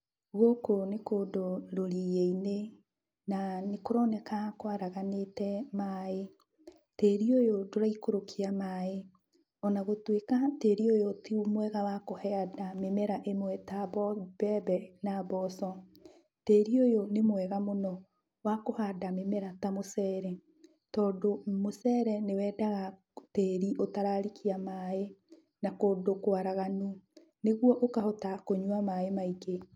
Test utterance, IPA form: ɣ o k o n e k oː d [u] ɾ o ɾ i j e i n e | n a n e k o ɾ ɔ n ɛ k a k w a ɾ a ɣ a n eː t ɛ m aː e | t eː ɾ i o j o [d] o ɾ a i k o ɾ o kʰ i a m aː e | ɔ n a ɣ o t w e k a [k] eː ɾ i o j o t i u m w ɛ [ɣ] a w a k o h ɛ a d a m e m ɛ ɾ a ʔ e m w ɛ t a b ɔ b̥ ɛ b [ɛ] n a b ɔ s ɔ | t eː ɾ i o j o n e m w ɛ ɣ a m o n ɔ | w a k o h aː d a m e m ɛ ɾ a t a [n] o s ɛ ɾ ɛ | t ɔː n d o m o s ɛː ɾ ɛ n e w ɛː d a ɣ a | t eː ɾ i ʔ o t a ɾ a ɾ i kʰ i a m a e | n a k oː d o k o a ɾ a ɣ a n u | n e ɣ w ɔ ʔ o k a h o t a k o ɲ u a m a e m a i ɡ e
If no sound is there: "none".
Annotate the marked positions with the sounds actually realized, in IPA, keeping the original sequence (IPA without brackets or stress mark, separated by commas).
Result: o, d, t, ɣ, ɛ, m